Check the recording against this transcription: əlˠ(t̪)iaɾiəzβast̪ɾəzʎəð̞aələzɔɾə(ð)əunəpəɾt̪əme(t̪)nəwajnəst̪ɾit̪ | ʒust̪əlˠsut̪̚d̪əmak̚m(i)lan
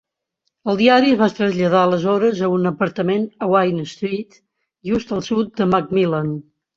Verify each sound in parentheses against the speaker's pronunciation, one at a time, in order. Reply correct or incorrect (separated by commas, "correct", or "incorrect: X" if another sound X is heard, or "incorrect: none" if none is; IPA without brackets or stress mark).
incorrect: d̪, incorrect: z, incorrect: none, correct